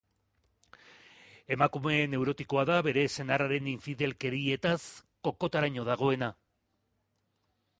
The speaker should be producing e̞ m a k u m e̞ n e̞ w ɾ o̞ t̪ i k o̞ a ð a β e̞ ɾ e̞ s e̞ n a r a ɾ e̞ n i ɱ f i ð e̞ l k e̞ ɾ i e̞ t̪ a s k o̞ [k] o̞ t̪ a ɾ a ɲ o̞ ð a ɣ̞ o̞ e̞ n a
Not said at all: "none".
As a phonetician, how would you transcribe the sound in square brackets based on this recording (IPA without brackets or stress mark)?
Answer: k